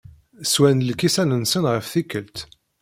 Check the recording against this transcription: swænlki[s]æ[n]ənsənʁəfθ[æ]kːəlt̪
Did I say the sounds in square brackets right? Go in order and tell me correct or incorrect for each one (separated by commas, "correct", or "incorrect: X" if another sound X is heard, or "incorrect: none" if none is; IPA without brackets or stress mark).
correct, correct, incorrect: i